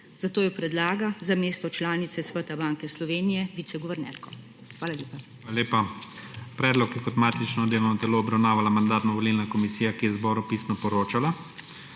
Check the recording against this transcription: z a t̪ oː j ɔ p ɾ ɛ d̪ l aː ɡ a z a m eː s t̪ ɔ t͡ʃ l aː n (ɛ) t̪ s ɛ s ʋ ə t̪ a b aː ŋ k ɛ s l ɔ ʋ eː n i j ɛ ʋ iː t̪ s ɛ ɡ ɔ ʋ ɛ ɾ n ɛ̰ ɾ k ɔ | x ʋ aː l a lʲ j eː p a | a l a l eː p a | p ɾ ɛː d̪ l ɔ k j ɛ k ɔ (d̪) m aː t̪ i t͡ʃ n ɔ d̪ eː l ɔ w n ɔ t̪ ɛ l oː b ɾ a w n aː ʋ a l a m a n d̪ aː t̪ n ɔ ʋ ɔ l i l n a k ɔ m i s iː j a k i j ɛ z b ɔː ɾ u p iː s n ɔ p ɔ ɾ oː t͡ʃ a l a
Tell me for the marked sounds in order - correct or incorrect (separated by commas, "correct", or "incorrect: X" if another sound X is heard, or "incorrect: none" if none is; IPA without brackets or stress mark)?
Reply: incorrect: i, incorrect: t̪